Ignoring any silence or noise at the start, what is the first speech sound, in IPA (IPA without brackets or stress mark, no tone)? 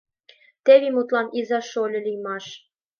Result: t̪